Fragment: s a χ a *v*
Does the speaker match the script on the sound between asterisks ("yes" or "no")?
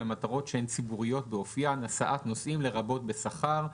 no